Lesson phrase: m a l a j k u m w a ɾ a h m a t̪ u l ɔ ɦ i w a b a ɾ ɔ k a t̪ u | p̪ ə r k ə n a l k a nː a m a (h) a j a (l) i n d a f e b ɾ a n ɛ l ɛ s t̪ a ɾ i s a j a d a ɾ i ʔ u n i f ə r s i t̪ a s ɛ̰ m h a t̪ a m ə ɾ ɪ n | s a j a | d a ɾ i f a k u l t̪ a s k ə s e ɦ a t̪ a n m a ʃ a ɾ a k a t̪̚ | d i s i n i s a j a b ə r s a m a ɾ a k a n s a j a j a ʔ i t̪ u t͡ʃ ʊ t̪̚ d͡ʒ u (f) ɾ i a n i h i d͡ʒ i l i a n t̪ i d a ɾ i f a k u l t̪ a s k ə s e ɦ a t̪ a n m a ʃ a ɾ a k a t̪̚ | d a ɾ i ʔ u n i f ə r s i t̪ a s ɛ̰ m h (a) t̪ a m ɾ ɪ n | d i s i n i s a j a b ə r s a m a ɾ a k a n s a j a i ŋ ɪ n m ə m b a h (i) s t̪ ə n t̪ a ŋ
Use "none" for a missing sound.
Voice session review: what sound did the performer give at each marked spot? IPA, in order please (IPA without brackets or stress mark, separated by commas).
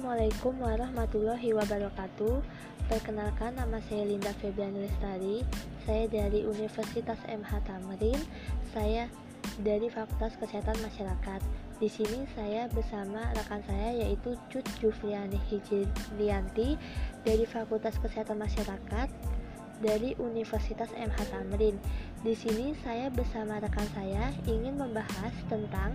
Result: s, l, f, a, a